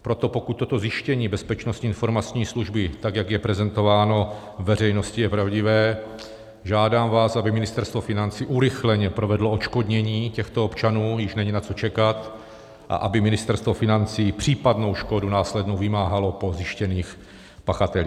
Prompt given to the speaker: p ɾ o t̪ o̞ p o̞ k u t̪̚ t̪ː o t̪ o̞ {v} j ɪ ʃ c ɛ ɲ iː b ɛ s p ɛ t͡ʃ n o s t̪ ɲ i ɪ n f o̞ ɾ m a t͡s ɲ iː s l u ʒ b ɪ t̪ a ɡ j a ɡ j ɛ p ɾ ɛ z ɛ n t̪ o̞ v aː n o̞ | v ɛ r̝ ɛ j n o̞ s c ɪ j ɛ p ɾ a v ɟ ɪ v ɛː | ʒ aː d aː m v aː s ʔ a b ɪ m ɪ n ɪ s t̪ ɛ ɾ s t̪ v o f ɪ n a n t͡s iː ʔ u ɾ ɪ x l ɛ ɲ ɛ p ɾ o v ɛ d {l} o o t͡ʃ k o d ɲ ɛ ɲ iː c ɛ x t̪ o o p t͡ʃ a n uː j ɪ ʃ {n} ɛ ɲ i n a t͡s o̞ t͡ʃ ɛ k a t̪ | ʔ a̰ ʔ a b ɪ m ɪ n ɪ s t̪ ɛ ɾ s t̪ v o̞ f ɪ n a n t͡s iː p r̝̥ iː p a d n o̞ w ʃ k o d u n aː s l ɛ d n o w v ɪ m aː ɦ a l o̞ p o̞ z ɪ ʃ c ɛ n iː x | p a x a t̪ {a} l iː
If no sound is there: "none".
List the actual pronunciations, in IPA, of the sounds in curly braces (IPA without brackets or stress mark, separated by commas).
z, l, n, ɛ